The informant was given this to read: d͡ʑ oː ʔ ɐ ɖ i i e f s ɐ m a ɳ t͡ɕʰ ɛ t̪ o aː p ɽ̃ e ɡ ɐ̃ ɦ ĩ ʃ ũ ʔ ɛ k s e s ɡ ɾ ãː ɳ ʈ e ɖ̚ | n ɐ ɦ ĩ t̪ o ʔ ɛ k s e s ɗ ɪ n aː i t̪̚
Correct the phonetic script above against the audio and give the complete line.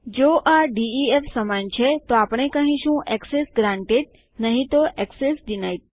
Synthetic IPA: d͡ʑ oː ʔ a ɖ i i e f s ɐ m a n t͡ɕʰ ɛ t̪ o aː p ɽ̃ e k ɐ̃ ɦ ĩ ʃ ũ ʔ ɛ k s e s ɡ ɾ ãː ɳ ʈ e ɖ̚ | n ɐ ɦ ĩ t̪ o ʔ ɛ k s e s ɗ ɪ n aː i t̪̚